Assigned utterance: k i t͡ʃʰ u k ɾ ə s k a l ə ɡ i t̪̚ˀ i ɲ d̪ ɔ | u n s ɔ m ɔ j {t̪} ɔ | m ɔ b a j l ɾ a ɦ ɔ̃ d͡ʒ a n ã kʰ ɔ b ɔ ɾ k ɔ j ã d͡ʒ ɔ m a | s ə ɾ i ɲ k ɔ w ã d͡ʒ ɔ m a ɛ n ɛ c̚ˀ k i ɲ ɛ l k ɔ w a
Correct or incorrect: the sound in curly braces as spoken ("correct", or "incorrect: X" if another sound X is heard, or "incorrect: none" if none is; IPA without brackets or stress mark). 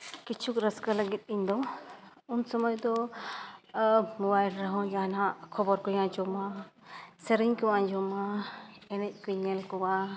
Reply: incorrect: d̪